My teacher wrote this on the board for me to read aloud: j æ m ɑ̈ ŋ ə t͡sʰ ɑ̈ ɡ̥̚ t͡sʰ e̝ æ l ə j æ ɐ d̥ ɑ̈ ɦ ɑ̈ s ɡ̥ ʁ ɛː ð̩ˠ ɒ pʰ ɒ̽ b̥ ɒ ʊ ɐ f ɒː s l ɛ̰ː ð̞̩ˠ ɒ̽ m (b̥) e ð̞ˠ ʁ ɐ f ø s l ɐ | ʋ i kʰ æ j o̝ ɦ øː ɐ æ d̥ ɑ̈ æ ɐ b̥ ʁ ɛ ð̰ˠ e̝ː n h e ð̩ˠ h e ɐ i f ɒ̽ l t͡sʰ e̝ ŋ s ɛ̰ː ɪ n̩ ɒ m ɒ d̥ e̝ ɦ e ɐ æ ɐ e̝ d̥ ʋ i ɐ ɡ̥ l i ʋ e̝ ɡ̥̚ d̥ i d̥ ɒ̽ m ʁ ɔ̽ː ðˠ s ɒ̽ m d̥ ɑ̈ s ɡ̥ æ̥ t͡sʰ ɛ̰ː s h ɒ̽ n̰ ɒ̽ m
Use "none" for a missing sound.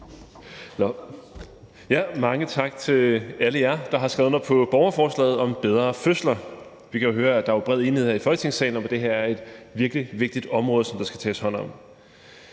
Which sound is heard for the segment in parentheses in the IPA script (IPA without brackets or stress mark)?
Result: b̥